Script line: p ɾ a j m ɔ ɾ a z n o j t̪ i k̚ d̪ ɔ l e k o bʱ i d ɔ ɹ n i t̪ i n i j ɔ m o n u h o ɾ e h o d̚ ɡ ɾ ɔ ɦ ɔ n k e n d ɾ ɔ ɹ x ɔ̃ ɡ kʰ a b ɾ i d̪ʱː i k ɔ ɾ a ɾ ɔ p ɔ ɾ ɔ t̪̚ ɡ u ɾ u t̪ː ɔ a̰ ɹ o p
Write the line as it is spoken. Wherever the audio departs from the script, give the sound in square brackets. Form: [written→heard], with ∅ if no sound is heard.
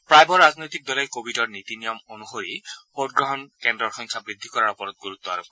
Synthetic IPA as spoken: p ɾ a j [m→b] ɔ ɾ a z n o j t̪ i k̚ d̪ ɔ l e k o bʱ i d ɔ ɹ n i t̪ i n i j ɔ m o n u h o ɾ [e→i] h o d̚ ɡ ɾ ɔ ɦ ɔ n k e n d ɾ ɔ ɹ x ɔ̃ [ɡ→ŋ] kʰ a b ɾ i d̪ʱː i k ɔ ɾ a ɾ ɔ p ɔ ɾ ɔ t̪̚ ɡ u ɾ u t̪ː ɔ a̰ [ɹ→ɾ] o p

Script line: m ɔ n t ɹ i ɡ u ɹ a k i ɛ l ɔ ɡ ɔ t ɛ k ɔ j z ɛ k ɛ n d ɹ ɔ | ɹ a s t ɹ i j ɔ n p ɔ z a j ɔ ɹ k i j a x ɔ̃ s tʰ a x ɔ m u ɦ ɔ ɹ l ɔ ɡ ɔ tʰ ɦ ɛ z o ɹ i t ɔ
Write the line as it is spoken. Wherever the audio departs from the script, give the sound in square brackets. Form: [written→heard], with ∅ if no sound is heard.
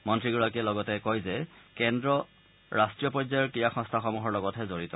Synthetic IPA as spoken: m ɔ n t ɹ i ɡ u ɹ a k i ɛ l ɔ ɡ ɔ t ɛ k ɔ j z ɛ k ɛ n d ɹ ɔ | ɹ a s t ɹ i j ɔ [n→∅] p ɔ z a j ɔ ɹ k i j a x ɔ̃ s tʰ a x ɔ m u ɦ ɔ ɹ l ɔ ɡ ɔ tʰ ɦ ɛ z o ɹ i t ɔ

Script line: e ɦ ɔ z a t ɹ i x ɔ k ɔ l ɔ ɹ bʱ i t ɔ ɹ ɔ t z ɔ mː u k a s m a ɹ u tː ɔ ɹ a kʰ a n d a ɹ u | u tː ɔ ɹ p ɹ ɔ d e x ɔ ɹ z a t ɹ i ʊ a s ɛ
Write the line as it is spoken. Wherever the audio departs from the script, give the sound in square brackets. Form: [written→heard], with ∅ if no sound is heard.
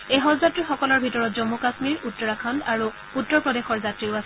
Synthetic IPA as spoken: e ɦ ɔ z a t ɹ i x ɔ k ɔ l ɔ ɹ bʱ i t ɔ ɹ ɔ t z ɔ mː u k a s m [a→i] ɹ u tː ɔ ɹ a kʰ a n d a ɹ u | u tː ɔ ɹ p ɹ ɔ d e x ɔ ɹ z a t ɹ i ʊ a s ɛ

